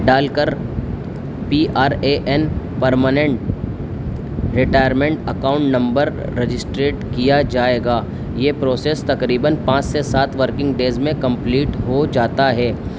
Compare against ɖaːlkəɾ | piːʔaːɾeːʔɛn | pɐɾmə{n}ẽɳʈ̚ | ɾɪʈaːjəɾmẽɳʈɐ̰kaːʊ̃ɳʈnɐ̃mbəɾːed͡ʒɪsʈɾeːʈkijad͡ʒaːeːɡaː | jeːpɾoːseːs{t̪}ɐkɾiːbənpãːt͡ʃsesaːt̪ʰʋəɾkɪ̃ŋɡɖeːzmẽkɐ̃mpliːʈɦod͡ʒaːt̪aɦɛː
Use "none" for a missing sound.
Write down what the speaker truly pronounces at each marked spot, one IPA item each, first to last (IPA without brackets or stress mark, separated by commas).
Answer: n, t̪